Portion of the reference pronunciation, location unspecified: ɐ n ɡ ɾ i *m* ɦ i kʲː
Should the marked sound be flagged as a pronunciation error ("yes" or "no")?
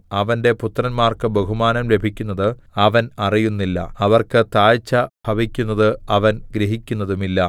yes